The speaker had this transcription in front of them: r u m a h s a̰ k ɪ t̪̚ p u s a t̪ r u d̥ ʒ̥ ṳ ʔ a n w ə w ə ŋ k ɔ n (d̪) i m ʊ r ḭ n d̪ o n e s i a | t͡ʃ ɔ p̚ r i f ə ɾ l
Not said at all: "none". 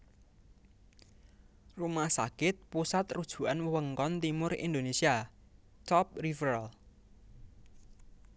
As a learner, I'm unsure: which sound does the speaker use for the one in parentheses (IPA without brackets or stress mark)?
t̪